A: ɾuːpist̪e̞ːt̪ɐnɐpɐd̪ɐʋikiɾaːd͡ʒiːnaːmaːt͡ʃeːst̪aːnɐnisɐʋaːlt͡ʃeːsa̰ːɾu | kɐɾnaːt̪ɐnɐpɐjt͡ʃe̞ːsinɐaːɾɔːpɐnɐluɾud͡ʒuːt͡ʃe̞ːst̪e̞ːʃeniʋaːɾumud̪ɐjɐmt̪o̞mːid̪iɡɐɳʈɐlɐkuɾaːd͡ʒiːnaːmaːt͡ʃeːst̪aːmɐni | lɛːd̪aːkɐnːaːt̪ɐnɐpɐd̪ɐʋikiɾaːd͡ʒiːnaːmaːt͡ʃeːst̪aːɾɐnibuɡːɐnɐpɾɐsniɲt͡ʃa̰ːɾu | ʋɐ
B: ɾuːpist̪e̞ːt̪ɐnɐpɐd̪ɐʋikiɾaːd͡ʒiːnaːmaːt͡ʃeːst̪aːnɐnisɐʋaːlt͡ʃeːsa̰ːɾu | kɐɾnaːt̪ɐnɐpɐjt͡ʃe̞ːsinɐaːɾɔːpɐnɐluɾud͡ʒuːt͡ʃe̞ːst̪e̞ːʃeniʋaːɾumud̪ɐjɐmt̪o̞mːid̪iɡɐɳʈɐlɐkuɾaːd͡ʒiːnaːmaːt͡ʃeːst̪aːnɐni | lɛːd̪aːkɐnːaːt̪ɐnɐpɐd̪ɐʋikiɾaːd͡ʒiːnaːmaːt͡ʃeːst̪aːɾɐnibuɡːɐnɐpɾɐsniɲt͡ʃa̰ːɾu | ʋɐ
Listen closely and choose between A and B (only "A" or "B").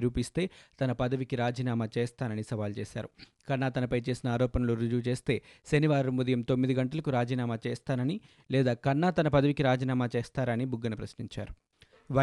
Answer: B